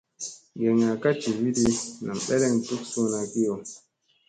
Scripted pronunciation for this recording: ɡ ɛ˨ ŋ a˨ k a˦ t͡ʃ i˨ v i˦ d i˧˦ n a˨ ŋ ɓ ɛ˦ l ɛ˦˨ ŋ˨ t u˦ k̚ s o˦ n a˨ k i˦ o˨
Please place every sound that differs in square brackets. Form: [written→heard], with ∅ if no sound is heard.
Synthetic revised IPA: ɡ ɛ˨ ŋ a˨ k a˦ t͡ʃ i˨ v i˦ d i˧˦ n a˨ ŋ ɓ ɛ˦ l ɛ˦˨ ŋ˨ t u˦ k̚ s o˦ n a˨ k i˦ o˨